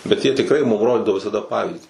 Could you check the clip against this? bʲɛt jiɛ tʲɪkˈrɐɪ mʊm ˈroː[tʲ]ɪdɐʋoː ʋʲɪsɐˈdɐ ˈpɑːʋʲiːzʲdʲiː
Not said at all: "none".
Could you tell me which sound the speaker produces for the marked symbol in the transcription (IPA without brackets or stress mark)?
dʲ